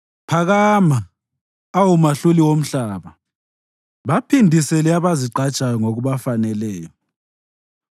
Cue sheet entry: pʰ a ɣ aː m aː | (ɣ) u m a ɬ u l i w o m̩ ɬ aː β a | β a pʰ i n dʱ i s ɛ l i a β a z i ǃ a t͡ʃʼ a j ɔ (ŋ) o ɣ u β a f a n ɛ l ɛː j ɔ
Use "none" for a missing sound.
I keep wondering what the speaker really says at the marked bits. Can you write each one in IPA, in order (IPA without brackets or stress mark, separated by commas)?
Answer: w, ŋ